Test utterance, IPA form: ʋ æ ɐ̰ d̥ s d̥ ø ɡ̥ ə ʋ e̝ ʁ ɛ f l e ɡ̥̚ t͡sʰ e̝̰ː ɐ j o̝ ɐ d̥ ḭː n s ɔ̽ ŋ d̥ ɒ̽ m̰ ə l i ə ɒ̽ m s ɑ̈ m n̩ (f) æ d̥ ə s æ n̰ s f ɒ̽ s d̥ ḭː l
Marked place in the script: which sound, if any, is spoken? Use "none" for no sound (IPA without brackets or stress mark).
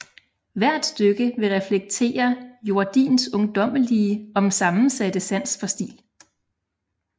s